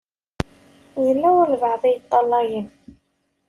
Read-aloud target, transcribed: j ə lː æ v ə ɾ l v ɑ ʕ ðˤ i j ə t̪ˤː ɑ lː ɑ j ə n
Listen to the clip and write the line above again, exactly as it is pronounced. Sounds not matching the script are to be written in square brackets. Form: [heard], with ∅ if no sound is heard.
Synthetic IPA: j ə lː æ [w] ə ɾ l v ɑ ʕ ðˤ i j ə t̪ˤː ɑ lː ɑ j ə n